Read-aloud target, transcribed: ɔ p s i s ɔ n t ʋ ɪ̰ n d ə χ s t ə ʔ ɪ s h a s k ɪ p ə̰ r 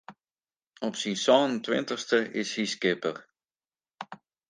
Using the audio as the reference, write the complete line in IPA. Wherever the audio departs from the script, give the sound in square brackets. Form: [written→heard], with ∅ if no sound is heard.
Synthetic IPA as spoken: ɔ p s i s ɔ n t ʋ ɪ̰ n [d→t] ə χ s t ə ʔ ɪ s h [a→i] s k ɪ p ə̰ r